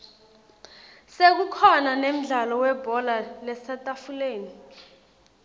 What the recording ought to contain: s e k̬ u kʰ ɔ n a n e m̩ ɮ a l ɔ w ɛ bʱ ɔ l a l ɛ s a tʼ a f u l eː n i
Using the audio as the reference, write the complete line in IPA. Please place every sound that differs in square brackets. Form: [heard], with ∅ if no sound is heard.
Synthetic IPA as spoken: s e k̬ u kʰ ɔ n a n e m̩ ɮ a l ɔ w ɛ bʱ ɔ l a l ɛ s a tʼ a f u l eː n i

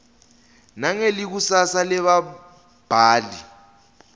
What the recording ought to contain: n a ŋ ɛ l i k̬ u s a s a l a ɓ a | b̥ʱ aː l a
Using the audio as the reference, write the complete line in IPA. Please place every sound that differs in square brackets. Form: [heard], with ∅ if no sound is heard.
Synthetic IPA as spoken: n a ŋ [e] l i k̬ u s a s a l [ɛ] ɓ a | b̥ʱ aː l [i]

